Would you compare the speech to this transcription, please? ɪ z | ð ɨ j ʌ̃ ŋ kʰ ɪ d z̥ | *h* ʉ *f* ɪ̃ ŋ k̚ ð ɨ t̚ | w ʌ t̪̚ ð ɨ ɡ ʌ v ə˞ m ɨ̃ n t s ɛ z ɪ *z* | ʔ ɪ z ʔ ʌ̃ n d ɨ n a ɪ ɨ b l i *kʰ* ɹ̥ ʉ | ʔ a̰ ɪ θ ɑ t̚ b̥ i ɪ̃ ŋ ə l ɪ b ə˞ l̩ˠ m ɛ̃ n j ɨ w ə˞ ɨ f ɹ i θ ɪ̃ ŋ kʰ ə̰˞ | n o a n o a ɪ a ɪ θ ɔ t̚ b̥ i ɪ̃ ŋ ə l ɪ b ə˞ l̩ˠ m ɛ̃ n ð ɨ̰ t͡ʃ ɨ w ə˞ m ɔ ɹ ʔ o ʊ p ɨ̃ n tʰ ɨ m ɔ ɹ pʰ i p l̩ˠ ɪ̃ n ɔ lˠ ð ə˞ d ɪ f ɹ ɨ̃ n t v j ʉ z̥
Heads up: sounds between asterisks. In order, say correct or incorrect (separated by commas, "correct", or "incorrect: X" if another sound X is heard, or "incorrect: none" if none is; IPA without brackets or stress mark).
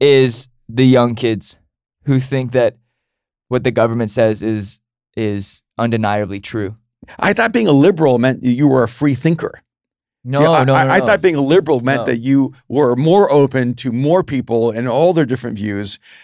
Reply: correct, incorrect: θ, correct, incorrect: tʰ